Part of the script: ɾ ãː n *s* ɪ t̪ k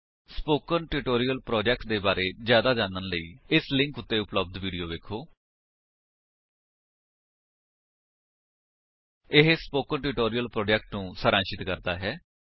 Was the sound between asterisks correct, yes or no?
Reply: no